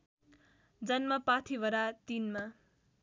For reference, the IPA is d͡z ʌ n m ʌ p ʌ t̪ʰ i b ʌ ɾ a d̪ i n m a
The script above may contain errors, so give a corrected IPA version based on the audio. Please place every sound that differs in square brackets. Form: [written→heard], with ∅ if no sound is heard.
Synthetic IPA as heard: d͡z ʌ n m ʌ p [ʌ→a] t̪ʰ i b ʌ ɾ a [d̪→t̪] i n m a